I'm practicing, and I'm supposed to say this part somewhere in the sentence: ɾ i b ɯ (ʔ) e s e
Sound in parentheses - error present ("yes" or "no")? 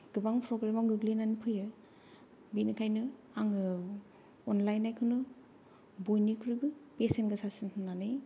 yes